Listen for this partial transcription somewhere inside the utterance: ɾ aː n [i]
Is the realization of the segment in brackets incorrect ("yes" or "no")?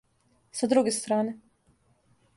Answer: yes